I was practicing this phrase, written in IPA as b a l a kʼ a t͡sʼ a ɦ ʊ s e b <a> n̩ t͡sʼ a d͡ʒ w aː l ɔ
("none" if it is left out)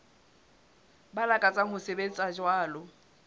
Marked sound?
e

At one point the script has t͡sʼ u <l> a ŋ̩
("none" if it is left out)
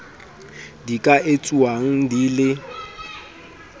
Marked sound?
none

